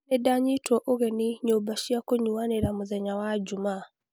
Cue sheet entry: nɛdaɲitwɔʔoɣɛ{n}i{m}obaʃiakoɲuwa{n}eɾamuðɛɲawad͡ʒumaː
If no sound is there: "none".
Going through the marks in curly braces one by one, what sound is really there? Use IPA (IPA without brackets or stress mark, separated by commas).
n, ɲ, n